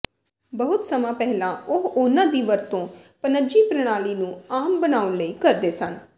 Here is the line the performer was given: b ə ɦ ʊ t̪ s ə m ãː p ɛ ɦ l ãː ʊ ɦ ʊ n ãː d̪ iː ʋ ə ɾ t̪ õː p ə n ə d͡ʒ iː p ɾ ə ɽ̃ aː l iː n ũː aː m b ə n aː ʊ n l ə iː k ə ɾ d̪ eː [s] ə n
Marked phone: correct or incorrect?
correct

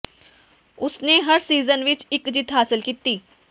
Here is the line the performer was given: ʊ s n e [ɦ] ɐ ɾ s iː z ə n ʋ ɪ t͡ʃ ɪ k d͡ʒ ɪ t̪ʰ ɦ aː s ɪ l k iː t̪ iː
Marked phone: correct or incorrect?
correct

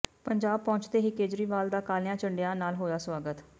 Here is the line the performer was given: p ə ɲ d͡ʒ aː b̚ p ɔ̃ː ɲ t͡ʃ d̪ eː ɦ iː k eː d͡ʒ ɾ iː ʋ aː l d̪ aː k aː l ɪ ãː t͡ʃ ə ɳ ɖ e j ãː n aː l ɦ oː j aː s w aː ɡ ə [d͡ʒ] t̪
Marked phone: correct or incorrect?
incorrect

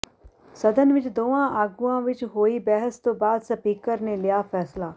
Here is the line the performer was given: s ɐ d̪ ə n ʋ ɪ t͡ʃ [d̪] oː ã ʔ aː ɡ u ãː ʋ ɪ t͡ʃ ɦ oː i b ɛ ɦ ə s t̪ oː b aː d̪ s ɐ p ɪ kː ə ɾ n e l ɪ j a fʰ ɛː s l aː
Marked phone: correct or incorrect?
correct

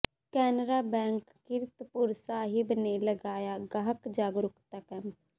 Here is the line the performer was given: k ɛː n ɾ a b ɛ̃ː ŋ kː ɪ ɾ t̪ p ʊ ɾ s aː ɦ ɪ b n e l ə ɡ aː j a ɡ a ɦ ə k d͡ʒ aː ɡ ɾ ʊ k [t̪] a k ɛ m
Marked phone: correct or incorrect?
correct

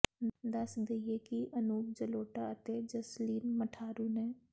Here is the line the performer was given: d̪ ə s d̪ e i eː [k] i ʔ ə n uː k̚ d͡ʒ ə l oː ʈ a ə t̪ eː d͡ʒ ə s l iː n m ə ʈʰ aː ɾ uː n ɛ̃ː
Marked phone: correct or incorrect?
correct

